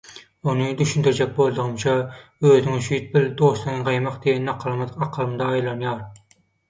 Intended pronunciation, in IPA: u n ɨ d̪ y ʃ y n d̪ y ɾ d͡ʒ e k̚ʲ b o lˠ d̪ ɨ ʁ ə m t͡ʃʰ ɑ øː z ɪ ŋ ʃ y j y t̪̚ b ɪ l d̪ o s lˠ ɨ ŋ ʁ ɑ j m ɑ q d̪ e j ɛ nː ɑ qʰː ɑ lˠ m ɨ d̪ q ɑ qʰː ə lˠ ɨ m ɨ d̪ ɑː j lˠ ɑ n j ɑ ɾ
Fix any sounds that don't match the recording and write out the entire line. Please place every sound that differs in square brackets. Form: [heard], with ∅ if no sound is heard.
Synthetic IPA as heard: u n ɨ d̪ y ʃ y n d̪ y ɾ d͡ʒ [ɛ] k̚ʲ b o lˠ d̪ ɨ ʁ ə m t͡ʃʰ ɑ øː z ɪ ŋ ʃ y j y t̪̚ b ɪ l d̪ o s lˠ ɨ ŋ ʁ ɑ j m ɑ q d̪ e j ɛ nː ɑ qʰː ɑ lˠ m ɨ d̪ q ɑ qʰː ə lˠ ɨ m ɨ d̪ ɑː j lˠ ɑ n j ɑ ɾ